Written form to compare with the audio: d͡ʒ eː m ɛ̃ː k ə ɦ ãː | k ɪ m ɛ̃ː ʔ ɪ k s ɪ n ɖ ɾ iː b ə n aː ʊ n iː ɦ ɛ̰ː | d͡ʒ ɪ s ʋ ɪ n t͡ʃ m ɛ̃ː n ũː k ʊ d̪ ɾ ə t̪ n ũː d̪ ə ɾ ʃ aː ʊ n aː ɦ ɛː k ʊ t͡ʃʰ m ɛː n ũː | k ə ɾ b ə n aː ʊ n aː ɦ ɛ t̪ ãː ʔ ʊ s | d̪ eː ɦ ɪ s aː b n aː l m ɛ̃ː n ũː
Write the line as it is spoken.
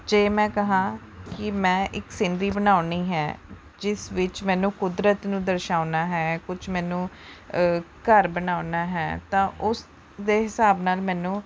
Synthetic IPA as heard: d͡ʒ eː m ɛ̃ː k ə ɦ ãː | k ɪ m ɛ̃ː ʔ ɪ k s ɪ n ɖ ɾ iː b ə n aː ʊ n iː ɦ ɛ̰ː | d͡ʒ ɪ s ʋ ɪ t͡ʃ m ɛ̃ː n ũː k ʊ d̪ ɾ ə t̪ n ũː d̪ ə ɾ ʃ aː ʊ n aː ɦ ɛː k ʊ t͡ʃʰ m ɛː n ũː | k ə ɾ b ə n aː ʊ n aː ɦ ɛː t̪ ãː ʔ ʊ s | d̪ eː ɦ ɪ s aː b n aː l m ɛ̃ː n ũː

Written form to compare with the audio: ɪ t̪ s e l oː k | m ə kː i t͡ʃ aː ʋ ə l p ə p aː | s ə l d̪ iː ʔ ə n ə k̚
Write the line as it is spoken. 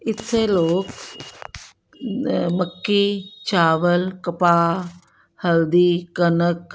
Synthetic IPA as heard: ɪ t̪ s e l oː k | m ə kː i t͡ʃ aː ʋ ə l k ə p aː | h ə l d̪ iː k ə n ə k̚

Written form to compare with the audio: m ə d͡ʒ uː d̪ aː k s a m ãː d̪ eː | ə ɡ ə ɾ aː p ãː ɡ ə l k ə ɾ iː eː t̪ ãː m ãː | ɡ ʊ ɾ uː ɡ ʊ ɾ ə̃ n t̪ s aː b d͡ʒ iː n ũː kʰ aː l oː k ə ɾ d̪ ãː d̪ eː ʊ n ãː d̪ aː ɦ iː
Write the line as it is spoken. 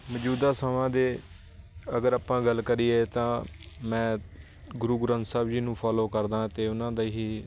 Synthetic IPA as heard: m ə d͡ʒ uː d̪ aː s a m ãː d̪ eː | ə ɡ ə ɾ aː p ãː ɡ ə l k ə ɾ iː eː t̪ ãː m ɛ̃ː | ɡ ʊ ɾ uː ɡ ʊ ɾ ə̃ n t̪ s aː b d͡ʒ iː n ũː pʰ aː l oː k ə ɾ d̪ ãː t̪ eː ʊ n ãː d̪ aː ɦ iː

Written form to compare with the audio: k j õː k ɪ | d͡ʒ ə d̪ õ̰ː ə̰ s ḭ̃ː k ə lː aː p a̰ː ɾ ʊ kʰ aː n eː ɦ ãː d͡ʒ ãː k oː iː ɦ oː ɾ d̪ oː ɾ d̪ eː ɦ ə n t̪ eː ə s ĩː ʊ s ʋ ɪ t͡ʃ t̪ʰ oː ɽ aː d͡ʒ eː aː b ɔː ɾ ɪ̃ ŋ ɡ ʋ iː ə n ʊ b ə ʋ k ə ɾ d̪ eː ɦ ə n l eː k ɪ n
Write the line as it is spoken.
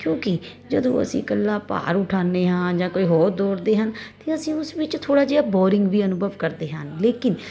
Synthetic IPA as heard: k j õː k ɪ | d͡ʒ ə d̪ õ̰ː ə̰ s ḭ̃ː k ə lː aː p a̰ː ɾ ʊ ʈʰ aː n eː ɦ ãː d͡ʒ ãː k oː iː ɦ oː ɾ d̪ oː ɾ d̪ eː ɦ ə n t̪ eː ə s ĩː ʊ s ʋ ɪ t͡ʃ t̪ʰ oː ɽ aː d͡ʒ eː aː b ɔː ɾ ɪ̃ ŋ ɡ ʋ iː ə n ʊ b ə ʋ k ə ɾ d̪ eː ɦ ə n l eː k ɪ n

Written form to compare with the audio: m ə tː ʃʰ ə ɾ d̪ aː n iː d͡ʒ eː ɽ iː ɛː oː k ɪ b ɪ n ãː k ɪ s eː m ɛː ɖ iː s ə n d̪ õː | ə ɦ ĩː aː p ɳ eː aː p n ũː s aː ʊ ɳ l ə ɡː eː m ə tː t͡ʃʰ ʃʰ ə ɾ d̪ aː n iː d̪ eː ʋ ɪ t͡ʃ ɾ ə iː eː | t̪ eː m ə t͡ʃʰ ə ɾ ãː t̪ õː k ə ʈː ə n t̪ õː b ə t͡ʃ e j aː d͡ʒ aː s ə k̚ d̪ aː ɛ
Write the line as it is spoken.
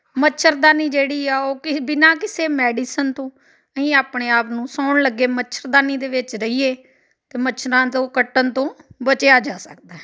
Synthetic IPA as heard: m ə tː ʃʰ ə ɾ d̪ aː n iː d͡ʒ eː ɽ iː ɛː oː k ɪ b ɪ n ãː k ɪ s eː m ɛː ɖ iː s ə n t̪ õː | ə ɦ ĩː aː p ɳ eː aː p n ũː s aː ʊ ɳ l ə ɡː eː m ə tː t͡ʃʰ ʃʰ ə ɾ d̪ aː n iː d̪ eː ʋ ɪ t͡ʃ ɾ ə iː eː | t̪ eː m ə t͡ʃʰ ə ɾ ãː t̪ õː k ə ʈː ə n t̪ õː b ə t͡ʃ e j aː d͡ʒ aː s ə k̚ d̪ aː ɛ

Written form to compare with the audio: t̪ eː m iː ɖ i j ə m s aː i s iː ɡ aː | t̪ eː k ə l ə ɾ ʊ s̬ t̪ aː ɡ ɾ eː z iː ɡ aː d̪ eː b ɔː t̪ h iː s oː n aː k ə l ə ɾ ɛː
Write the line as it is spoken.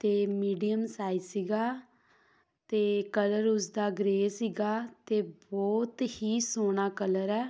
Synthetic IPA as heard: t̪ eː m iː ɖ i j ə m s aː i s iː ɡ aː | t̪ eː k ə l ə ɾ ʊ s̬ d̪ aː ɡ ɾ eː s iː ɡ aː t̪ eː b ɔː t̪ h iː s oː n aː k ə l ə ɾ ɛː

